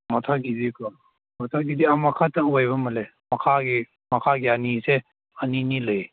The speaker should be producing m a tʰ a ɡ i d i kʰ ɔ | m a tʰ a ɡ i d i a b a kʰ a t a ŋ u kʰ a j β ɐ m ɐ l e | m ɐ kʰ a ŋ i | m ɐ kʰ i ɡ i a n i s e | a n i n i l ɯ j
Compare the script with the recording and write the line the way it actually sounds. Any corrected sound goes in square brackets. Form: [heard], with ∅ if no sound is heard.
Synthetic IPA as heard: m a tʰ a ɡ i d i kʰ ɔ | m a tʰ a ɡ i d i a [m] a kʰ a t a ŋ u [∅] a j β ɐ m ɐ l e | m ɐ kʰ a [ɡ] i | m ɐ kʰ [a] ɡ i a n i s e | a n i n i l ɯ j